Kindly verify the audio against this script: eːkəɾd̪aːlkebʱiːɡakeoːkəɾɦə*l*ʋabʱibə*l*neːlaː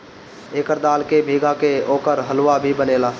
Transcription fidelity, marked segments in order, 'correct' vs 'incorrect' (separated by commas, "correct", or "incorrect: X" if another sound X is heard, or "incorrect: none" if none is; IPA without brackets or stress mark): correct, incorrect: none